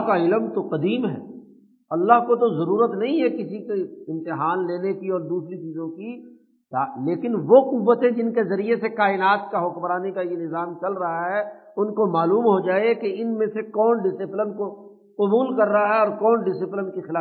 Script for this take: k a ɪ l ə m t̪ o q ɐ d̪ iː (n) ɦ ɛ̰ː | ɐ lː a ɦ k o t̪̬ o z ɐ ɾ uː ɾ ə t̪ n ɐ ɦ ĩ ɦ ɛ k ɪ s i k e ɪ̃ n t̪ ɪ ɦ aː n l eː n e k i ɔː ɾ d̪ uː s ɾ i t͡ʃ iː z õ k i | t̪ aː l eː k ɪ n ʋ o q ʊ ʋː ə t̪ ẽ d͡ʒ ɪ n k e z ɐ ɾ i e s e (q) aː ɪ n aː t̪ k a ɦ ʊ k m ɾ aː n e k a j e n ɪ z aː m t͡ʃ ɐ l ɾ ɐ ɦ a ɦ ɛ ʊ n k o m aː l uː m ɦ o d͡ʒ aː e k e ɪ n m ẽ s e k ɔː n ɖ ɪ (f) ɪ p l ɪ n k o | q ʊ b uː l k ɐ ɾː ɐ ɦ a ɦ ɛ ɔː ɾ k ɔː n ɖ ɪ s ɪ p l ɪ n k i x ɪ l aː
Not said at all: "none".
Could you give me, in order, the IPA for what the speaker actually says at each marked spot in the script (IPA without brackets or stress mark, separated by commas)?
m, k, s